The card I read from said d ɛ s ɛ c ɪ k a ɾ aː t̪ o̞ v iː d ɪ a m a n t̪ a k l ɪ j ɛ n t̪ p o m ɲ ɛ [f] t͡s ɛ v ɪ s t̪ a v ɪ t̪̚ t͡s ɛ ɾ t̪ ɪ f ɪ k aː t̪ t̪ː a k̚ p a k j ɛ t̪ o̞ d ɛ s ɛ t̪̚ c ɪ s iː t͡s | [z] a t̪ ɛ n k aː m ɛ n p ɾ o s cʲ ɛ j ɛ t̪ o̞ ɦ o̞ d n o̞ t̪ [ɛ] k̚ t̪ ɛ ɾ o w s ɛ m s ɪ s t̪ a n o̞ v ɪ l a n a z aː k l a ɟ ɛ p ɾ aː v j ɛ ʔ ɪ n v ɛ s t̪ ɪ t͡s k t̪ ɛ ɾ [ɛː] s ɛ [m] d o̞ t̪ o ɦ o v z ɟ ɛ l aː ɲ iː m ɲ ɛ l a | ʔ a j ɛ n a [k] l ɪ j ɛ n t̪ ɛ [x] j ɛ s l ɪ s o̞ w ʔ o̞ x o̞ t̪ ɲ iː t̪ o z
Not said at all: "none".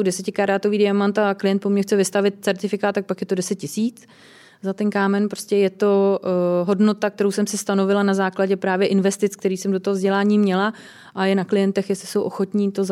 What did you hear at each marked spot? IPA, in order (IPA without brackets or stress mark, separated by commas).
x, z, a, iː, m, k, x